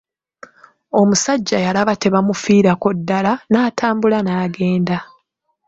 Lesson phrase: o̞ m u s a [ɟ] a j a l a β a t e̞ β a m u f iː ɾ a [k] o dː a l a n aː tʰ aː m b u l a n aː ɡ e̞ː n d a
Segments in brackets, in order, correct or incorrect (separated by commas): incorrect, correct